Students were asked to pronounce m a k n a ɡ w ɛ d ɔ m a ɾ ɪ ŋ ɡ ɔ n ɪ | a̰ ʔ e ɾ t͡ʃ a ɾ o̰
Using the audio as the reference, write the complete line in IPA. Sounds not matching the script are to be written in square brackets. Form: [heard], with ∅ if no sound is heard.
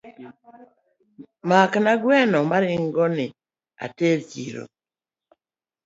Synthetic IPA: m a k n a ɡ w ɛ [n] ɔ m a ɾ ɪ ŋ ɡ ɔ n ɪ | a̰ [t] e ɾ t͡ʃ [i] ɾ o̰